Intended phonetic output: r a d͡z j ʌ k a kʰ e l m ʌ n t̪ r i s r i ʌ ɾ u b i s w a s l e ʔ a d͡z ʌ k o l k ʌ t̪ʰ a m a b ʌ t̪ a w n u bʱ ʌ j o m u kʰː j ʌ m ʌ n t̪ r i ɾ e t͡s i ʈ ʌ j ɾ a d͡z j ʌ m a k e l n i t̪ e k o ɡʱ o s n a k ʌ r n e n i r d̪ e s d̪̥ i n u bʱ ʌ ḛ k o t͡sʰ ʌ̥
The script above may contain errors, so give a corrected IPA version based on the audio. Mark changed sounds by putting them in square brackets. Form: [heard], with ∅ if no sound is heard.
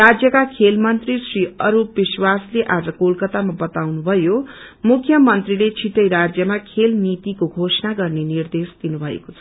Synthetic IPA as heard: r a d͡z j ʌ k a kʰ e l m ʌ n t̪ r i s r i ʌ ɾ u b i s w a s l e ʔ a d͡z ʌ k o l k ʌ [t̪] a m a b ʌ t̪ a w n u bʱ ʌ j o m u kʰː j ʌ m ʌ n t̪ r i [l] e [t͡sʰ] i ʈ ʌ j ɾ a d͡z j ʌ m a [kʰ] e l n i t̪ [i] k o ɡʱ o s n a [ɡ] ʌ r n e n i r d̪ e s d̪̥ i n u bʱ ʌ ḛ k o t͡sʰ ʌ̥